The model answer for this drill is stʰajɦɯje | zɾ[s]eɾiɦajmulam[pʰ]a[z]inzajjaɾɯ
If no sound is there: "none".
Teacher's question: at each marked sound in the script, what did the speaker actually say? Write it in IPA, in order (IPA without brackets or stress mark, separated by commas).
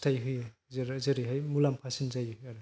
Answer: z, pʰ, s